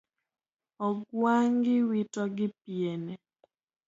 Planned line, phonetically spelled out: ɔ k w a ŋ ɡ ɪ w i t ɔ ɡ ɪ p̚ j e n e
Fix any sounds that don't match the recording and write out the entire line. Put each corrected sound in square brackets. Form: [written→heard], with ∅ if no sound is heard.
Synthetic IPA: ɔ [k→ɡ] w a ŋ ɡ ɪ w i t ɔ ɡ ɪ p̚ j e n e